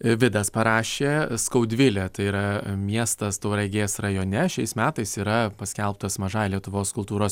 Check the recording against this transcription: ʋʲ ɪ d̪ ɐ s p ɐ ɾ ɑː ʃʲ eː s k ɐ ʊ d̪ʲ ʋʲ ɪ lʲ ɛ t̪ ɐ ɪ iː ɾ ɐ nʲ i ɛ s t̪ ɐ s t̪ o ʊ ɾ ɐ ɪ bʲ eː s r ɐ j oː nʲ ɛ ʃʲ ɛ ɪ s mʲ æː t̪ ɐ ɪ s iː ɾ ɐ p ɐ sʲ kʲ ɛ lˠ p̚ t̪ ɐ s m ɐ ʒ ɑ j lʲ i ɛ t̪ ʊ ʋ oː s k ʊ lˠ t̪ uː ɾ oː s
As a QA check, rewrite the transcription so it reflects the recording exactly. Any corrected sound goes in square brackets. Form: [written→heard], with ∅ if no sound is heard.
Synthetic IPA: ʋʲ ɪ d̪ ɐ s p ɐ ɾ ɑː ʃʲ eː s k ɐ ʊ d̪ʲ ʋʲ ɪ lʲ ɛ t̪ ɐ ɪ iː ɾ ɐ [nʲ→mʲ] i ɛ s t̪ ɐ s t̪ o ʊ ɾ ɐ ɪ [bʲ→ɡʲ] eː s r ɐ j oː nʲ ɛ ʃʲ ɛ ɪ s mʲ æː t̪ ɐ ɪ s iː ɾ ɐ p ɐ sʲ kʲ ɛ lˠ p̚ t̪ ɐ s m ɐ ʒ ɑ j lʲ i ɛ t̪ ʊ ʋ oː s k ʊ lˠ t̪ uː ɾ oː s

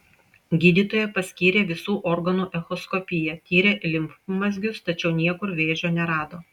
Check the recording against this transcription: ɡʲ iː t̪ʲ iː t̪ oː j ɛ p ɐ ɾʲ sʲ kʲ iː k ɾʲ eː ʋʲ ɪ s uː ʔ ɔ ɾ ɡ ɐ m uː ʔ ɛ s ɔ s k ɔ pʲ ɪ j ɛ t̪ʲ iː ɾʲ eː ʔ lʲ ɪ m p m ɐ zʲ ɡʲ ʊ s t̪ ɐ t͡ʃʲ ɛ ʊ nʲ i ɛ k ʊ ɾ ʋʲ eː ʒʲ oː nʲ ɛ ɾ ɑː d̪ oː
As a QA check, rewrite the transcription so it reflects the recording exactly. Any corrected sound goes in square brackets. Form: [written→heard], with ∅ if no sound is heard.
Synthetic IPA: ɡʲ iː [t̪ʲ→d̪ʲ] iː t̪ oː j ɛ p ɐ [ɾʲ→∅] sʲ kʲ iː [k→∅] ɾʲ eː ʋʲ ɪ s uː ʔ ɔ ɾ ɡ ɐ [m→n] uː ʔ ɛ [s→x] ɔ s k ɔ pʲ ɪ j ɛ t̪ʲ iː ɾʲ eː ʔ lʲ ɪ m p m ɐ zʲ ɡʲ ʊ s t̪ ɐ t͡ʃʲ ɛ ʊ nʲ i ɛ k ʊ ɾ ʋʲ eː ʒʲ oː nʲ ɛ ɾ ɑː d̪ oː

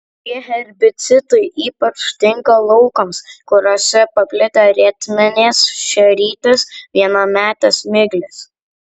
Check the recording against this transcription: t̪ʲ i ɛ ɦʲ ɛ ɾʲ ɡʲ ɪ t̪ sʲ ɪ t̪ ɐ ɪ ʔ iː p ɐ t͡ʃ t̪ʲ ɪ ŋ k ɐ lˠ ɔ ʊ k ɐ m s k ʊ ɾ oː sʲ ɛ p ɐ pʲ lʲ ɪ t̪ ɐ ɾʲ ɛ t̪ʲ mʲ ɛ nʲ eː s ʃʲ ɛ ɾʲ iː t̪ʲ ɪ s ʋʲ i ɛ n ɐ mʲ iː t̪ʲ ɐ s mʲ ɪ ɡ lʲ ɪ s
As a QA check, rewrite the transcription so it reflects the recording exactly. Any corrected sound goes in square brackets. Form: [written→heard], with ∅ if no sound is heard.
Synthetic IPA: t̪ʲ i ɛ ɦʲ ɛ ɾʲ [ɡʲ→bʲ] ɪ t̪ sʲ ɪ t̪ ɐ ɪ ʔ iː p ɐ t͡ʃ t̪ʲ ɪ ŋ k ɐ lˠ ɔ ʊ k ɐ m s k ʊ ɾ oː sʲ ɛ p ɐ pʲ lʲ ɪ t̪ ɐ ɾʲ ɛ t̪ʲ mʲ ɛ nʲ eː s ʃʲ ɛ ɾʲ iː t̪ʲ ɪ s ʋʲ i ɛ n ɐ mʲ [iː→æː] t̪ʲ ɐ s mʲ ɪ ɡ lʲ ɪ s

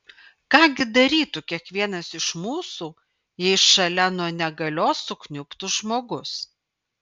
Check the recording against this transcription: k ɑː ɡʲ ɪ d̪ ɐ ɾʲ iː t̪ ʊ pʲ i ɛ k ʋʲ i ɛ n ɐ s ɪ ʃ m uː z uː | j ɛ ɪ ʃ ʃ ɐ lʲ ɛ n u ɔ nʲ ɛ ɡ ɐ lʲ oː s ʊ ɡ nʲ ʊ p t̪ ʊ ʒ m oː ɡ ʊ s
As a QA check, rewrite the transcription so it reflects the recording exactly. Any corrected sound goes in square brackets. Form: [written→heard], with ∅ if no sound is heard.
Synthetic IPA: k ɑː ɡʲ ɪ d̪ ɐ ɾʲ iː t̪ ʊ [pʲ→kʲ] i ɛ k ʋʲ i ɛ n ɐ s ɪ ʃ m uː [z→s] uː | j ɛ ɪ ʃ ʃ ɐ lʲ ɛ n u ɔ nʲ ɛ ɡ ɐ lʲ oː s ʊ [ɡ→k] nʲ ʊ p t̪ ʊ ʒ m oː ɡ ʊ s

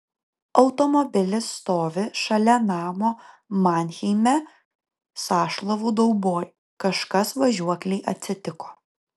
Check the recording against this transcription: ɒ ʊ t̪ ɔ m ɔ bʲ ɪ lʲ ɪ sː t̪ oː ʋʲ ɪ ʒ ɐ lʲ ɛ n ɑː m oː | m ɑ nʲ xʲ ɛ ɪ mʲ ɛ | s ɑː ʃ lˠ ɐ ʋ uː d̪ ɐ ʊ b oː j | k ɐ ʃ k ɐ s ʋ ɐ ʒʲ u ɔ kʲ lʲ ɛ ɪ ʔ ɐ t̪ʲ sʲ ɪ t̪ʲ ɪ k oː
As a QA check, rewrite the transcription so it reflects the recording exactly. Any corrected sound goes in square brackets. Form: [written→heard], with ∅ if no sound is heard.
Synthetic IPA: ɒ ʊ t̪ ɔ m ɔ bʲ ɪ lʲ ɪ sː t̪ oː ʋʲ ɪ [ʒ→ʃ] ɐ lʲ ɛ n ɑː m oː | m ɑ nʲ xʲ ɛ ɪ mʲ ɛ | s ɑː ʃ lˠ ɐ ʋ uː d̪ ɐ ʊ b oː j | k ɐ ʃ k ɐ s ʋ ɐ ʒʲ u ɔ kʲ lʲ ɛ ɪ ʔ ɐ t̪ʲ sʲ ɪ t̪ʲ ɪ k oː

